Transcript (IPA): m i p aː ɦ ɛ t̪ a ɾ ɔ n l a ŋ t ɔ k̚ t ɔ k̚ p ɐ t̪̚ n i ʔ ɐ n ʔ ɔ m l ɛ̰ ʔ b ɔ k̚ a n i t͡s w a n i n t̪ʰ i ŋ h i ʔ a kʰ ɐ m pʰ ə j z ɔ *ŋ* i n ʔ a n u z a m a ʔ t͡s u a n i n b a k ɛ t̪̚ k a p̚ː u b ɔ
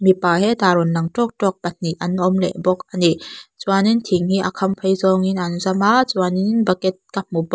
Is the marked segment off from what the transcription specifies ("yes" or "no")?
no